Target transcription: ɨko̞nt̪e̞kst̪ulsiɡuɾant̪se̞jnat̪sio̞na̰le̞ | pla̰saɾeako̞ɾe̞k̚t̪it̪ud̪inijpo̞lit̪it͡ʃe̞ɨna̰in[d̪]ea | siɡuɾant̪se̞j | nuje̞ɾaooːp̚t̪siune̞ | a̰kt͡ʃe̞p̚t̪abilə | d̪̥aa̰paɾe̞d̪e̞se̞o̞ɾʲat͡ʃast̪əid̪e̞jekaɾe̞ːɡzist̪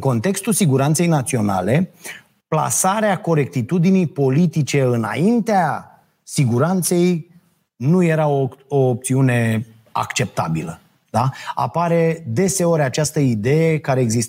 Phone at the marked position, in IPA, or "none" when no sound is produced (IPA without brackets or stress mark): t̪